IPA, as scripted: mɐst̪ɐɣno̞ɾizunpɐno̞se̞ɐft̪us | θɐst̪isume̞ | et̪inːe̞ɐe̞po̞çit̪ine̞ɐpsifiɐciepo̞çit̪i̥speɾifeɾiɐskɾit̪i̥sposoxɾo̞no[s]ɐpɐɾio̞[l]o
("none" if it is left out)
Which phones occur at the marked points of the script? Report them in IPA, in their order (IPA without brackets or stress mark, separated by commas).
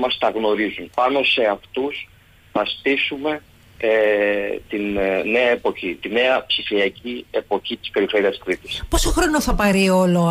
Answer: θ, l